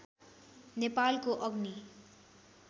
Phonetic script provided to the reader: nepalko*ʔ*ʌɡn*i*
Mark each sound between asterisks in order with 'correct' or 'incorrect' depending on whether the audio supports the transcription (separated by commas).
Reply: correct, correct